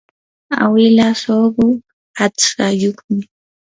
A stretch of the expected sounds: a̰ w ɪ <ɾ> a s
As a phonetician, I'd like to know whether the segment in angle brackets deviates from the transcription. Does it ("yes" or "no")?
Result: yes